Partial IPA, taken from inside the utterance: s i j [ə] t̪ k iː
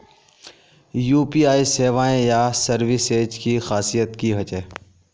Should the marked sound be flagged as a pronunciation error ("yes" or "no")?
no